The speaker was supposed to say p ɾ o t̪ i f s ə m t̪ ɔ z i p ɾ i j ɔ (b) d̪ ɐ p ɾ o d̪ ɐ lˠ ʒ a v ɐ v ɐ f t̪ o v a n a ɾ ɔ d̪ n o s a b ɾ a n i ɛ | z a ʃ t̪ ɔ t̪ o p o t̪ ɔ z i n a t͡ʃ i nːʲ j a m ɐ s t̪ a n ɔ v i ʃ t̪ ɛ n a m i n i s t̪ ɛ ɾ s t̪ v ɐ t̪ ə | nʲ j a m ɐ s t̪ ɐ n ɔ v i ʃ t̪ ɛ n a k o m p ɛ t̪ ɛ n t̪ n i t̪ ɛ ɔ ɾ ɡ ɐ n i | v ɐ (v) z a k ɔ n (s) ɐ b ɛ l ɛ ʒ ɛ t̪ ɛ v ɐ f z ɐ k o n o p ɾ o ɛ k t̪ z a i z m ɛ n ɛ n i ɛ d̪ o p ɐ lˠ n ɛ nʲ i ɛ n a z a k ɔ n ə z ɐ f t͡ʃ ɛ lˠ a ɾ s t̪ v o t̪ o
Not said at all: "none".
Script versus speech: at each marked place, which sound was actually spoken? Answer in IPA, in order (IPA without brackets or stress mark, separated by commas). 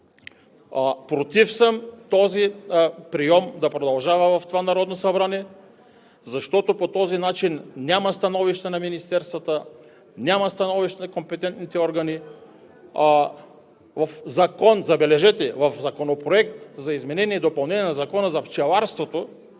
m, f, z